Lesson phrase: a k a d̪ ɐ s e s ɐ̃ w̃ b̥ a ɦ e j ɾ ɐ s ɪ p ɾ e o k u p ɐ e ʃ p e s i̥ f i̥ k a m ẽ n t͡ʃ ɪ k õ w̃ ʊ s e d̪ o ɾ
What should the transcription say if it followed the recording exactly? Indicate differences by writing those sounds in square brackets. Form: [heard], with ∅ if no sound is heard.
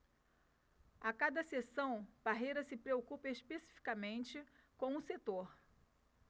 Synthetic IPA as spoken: a k a d̪ ɐ s e s ɐ̃ w̃ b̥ a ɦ e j ɾ ɐ s ɪ p ɾ e o k u p ɐ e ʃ p e s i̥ f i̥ k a m ẽ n t͡ʃ ɪ k õ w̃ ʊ s e [t̪] o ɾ